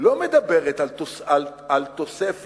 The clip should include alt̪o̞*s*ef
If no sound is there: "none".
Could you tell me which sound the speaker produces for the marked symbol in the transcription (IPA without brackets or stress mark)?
s